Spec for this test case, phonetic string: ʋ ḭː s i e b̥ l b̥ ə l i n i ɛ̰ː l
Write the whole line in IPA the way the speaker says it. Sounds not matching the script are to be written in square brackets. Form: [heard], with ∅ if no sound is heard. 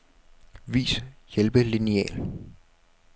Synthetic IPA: ʋ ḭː s [j] e [∅] l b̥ ə l i n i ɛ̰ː l

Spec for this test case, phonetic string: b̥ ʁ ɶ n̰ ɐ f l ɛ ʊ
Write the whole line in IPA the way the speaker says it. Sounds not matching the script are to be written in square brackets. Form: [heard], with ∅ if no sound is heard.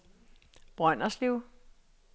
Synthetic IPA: b̥ ʁ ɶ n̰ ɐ [s] l [i] ʊ

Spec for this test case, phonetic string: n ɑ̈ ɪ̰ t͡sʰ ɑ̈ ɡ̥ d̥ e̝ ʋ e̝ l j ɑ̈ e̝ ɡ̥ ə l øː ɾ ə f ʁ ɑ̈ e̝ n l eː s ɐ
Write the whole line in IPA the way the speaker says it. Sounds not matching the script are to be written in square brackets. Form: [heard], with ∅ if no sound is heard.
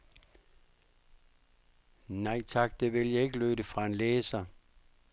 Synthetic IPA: n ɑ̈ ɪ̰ t͡sʰ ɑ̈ ɡ̥ d̥ e̝ ʋ e̝ l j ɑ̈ e̝ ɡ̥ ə l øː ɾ ə f ʁ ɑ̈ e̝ n l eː s ɐ

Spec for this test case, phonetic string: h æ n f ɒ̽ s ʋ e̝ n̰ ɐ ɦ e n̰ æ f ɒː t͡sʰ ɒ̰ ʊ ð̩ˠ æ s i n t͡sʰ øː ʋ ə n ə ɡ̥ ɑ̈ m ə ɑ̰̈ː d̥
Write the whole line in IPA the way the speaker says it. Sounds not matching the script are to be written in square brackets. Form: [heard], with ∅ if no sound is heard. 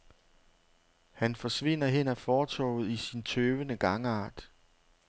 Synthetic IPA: h æ n f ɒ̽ s ʋ e̝ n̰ ɐ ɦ e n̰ æ f ɒː t͡sʰ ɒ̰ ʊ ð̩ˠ [i] s i n t͡sʰ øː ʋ ə n ə ɡ̥ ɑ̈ [ŋ] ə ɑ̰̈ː d̥

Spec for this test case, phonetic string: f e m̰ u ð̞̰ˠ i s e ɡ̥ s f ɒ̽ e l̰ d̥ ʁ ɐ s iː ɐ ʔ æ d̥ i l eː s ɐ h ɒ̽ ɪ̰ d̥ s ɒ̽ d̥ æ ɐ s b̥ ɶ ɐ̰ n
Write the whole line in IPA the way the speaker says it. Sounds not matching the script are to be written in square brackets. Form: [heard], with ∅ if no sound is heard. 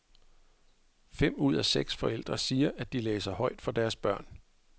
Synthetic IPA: f e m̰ u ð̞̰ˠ [æ] s e ɡ̥ s f ɒ̽ e l̰ d̥ ʁ ɐ s iː ɐ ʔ æ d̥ i l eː s ɐ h ɒ̽ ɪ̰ d̥ [f] ɒ̽ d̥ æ ɐ s b̥ ɶ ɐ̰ n

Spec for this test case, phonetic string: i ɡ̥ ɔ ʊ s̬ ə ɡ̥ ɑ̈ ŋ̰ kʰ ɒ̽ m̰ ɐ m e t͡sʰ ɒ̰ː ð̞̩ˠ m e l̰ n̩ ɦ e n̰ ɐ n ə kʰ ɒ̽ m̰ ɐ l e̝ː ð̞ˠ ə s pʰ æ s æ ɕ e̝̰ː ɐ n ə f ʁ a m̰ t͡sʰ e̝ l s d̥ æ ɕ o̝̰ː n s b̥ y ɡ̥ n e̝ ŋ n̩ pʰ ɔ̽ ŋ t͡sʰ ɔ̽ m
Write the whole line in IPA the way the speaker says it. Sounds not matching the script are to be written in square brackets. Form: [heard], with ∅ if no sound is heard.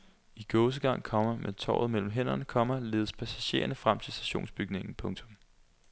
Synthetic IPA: i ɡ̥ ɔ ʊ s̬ ə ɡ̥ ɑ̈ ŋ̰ kʰ ɒ̽ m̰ ɐ m e t͡sʰ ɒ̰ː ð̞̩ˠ m e l̰ [m̩] ɦ e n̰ ɐ n ə kʰ ɒ̽ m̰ ɐ l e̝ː ð̞ˠ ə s pʰ æ s æ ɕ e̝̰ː ɐ n ə f ʁ a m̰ t͡sʰ e̝ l s d̥ æ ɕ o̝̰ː n s b̥ y ɡ̥ n e̝ ŋ n̩ pʰ ɔ̽ ŋ t͡sʰ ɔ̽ m

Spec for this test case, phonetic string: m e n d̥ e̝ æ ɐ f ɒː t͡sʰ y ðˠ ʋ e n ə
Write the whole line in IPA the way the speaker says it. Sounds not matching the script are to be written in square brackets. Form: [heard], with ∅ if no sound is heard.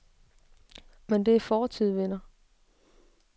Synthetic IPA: m e n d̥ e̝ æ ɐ f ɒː t͡sʰ [i] ðˠ ʋ e n [ɐ]

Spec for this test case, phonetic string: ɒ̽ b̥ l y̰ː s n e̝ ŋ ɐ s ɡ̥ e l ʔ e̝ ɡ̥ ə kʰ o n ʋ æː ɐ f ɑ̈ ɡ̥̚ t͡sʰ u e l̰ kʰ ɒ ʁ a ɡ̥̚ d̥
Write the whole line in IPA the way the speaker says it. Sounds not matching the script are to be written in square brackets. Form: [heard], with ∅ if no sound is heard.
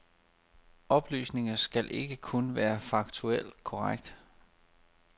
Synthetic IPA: ɒ̽ b̥ l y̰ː s n e̝ ŋ ɐ s ɡ̥ [æ] l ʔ e̝ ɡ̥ ə kʰ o n ʋ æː ɐ f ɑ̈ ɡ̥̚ t͡sʰ u e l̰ kʰ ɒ ʁ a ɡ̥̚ d̥

